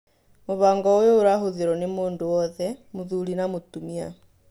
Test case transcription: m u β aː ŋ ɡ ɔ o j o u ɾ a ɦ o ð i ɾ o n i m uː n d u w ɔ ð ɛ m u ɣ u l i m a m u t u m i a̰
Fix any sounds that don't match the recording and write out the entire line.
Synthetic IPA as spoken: m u β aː ŋ ɡ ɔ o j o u ɾ a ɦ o ð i ɾ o n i m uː n d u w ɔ ð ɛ m u ð u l i n a m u t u m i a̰